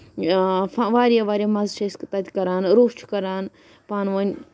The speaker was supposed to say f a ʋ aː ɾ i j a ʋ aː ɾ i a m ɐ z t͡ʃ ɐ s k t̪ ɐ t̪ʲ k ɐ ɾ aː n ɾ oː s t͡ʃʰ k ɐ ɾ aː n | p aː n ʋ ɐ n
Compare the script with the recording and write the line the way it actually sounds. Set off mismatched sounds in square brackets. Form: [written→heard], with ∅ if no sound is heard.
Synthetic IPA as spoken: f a ʋ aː ɾ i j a ʋ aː ɾ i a m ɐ z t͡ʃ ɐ s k t̪ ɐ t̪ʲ k ɐ ɾ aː n ɾ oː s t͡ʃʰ k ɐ ɾ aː n | p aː n ʋ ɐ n

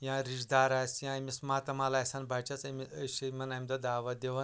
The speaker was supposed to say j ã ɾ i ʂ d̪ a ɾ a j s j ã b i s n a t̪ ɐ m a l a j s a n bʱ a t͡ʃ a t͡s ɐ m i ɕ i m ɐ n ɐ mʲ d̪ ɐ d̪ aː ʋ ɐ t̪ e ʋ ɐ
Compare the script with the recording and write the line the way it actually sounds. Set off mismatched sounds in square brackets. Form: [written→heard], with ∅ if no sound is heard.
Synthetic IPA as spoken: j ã ɾ i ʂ d̪ a ɾ a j s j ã [b→m] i s [n→m] a t̪ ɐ m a l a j s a n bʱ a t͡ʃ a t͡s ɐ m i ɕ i m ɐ n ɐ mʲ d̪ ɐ d̪ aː ʋ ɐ [t̪→d̪] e ʋ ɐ

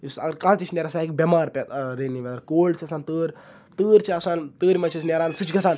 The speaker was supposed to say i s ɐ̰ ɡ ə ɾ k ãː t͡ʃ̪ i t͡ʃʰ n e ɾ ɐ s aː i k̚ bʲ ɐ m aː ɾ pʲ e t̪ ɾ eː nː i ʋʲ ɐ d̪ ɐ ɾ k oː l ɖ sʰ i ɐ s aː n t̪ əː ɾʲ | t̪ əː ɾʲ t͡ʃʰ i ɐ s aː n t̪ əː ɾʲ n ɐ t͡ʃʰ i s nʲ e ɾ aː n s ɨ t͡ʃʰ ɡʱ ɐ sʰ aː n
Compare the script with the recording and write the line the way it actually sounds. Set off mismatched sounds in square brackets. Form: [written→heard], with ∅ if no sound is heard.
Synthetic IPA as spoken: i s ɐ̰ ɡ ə ɾ k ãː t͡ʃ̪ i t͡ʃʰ n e ɾ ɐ s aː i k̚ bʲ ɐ m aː ɾ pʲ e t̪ ɾ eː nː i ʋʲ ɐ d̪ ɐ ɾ k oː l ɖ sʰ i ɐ s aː n t̪ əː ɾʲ | t̪ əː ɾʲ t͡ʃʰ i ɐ s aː n t̪ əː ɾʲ [n→m] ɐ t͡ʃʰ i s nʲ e ɾ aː n s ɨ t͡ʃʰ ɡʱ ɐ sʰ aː n

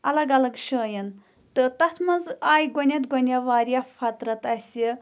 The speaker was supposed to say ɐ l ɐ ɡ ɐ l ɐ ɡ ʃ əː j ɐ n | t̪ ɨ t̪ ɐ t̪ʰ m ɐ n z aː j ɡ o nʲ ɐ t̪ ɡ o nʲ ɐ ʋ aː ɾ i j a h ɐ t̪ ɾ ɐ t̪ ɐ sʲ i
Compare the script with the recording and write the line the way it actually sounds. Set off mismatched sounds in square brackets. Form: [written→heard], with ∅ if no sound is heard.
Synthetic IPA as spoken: ɐ l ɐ ɡ ɐ l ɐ ɡ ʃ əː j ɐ n | t̪ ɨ t̪ ɐ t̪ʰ m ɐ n z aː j ɡ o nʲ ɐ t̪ ɡ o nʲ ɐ ʋ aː ɾ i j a [h→f] ɐ t̪ ɾ ɐ t̪ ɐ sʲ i

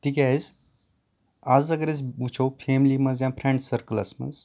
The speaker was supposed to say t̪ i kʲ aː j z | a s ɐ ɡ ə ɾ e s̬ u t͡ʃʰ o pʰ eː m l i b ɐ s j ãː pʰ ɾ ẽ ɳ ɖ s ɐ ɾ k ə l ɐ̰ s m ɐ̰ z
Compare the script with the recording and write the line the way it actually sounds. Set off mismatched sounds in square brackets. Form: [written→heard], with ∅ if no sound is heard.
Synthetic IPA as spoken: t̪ i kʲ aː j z | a [s→z] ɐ ɡ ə ɾ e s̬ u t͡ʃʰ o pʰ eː m l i [b→m] ɐ [s→z] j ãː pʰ ɾ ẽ ɳ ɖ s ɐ ɾ k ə l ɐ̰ s m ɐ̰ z

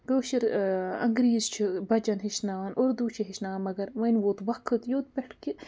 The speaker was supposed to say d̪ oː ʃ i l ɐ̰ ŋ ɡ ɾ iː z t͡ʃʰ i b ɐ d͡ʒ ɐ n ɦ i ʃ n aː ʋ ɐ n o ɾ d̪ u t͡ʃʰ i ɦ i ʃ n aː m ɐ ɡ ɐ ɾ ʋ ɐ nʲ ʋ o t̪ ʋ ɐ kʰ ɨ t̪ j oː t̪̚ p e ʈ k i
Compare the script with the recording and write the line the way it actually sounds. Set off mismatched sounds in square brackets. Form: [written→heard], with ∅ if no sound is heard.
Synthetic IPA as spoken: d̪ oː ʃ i [l→ɾ] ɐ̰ ŋ ɡ ɾ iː z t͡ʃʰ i b ɐ d͡ʒ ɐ n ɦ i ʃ n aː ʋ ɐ n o ɾ d̪ u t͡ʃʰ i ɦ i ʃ n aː m ɐ ɡ ɐ ɾ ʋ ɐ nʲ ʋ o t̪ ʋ ɐ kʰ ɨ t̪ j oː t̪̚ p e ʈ k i

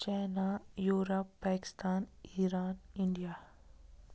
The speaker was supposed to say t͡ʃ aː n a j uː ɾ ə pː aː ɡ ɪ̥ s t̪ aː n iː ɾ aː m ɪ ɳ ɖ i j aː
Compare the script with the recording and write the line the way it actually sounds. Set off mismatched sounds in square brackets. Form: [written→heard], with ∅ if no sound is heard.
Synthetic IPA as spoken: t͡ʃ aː n a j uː ɾ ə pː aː [ɡ→k] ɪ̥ s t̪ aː n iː ɾ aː [m→n] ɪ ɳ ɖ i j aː

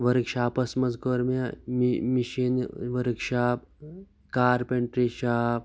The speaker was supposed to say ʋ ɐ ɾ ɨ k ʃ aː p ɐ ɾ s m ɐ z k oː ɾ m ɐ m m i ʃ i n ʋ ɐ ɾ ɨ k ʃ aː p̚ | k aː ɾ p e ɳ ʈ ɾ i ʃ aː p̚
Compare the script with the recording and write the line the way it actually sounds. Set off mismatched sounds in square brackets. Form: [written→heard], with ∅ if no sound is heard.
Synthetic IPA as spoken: ʋ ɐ ɾ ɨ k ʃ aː p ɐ [ɾ→∅] s m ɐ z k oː ɾ m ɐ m m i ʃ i n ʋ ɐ ɾ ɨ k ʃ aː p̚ | k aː ɾ p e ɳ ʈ ɾ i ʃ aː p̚

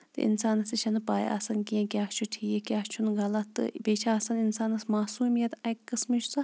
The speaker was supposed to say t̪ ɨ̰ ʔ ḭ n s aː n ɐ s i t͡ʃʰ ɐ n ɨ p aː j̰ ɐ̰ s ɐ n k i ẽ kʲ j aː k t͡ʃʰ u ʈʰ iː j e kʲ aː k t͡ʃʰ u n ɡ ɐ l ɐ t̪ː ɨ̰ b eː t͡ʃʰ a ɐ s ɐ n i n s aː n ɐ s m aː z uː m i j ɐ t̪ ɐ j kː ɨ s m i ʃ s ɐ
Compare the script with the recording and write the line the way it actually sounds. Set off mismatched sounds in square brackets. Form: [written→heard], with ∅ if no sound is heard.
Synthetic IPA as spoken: t̪ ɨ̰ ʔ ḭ n s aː n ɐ s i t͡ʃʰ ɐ n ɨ p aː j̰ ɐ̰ s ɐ n k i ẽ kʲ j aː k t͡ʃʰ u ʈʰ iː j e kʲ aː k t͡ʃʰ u n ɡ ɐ l ɐ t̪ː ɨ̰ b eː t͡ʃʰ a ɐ s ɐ n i n s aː n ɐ s m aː [z→s] uː m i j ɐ t̪ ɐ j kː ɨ s m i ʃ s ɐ

